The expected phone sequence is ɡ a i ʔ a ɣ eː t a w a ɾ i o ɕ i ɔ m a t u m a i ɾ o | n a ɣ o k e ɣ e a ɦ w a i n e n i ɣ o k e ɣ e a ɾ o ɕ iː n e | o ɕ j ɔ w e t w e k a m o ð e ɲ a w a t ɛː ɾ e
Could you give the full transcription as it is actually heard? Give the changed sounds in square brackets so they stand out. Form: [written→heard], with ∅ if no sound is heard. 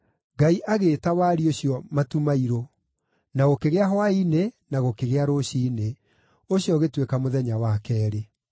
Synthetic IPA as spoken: ɡ a i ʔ a ɣ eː t a w a ɾ i o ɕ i ɔ m a t u m a i ɾ o | n a ɣ o k e ɣ e a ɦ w a i n e n [i→a] ɣ o k e ɣ e a ɾ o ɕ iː n e | o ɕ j ɔ [w→ɣ] e t w e k a m o ð [e→ɛ] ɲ a w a [t→k] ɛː ɾ e

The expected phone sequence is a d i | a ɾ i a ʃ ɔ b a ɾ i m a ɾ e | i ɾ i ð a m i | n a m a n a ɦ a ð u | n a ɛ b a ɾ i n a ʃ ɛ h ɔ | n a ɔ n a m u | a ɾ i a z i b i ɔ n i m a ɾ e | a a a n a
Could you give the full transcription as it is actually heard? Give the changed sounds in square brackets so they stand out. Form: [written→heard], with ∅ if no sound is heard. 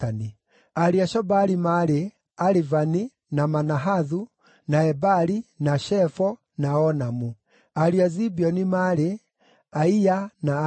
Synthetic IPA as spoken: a [d→n] i | a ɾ i a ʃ ɔ b a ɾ i m a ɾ e | [i→a] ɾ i [ð→v] a [m→n] i | n a m a n a ɦ a ð u | n a ɛ b a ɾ i n a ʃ ɛ [h→f] ɔ | n a ɔ n a m u | a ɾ i a z i b i ɔ n i m a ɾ e | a [a→i] a n a

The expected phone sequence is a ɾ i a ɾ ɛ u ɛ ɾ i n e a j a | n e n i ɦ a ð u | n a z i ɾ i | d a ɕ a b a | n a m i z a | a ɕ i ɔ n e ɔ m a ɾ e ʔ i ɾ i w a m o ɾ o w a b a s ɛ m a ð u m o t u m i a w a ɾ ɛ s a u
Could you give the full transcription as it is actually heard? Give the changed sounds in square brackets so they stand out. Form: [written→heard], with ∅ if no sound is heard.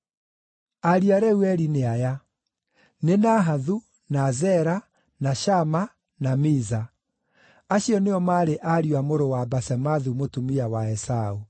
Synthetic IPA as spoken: a ɾ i a ɾ ɛ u ɛ ɾ i n e a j a | n e n [i→a] ɦ a ð u | n a z [i→ɛ] ɾ [i→a] | [d→n] a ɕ a [b→m] a | n a m i z a | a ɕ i ɔ n e ɔ m a ɾ e ʔ [i→a] ɾ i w a m o ɾ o w a b a s ɛ m a ð u m o t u m i a w a [ɾ→∅] ɛ s a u

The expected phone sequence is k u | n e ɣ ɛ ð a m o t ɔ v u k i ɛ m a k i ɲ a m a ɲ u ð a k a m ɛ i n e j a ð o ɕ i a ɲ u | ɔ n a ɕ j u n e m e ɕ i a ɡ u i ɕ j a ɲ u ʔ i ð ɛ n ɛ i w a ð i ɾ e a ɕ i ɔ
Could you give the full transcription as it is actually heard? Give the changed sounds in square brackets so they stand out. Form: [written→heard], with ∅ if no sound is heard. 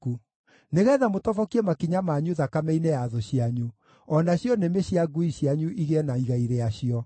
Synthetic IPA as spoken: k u | n e ɣ ɛ ð a m o t ɔ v [u→ɔ] k i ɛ m a k i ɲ a m a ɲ u ð a k a m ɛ i n e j a ð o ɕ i a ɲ u | ɔ n a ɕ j [u→ɔ] n e m e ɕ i a ɡ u i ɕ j a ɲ u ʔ i [ð→ɣ] ɛ n [ɛ→a] i [w→ɣ] a [ð→∅] i ɾ e a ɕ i ɔ

